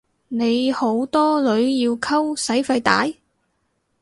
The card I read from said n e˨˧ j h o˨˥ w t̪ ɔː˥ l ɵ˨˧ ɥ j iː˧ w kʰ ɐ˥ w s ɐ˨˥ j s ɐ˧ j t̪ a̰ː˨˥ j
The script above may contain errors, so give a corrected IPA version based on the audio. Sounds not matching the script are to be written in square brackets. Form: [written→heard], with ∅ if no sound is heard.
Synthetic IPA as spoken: n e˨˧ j h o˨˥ w t̪ ɔː˥ l ɵ˨˧ ɥ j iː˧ w kʰ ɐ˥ w s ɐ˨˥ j [s→f] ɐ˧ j t̪ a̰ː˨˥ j